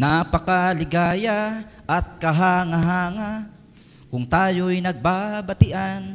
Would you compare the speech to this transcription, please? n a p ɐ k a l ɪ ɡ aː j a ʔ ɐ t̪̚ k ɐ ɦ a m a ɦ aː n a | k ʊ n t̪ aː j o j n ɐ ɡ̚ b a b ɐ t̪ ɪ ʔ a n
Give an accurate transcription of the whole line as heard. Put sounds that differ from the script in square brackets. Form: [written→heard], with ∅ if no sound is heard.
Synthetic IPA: n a p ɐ k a l ɪ ɡ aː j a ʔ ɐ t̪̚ k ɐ ɦ a [m→ŋ] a ɦ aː [n→ŋ] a | k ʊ [n→ŋ] t̪ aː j o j n ɐ ɡ̚ b a b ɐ t̪ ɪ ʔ a n